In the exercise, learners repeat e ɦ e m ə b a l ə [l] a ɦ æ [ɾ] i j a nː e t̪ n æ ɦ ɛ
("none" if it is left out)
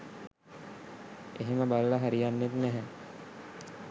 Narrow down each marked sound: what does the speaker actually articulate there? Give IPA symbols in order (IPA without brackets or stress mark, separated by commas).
l, ɾ